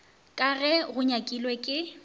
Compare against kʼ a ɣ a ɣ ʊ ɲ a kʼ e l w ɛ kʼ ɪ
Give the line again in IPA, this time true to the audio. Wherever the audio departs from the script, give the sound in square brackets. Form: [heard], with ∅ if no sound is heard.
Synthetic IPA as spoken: kʼ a ɣ [ɛ] ɣ ʊ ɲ a kʼ [i] l w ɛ kʼ ɪ